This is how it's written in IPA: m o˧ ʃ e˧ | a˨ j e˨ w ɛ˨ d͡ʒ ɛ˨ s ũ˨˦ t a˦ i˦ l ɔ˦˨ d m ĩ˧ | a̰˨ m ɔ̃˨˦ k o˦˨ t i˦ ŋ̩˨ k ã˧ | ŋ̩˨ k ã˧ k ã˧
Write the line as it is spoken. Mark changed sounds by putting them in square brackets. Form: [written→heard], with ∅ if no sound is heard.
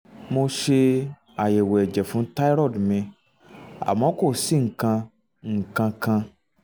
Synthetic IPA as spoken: m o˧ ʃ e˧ | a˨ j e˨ w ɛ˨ d͡ʒ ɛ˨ [s→f] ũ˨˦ t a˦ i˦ [l→ɾ] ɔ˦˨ d m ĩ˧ | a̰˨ m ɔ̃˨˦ k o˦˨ [t→s] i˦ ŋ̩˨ k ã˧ | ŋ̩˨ k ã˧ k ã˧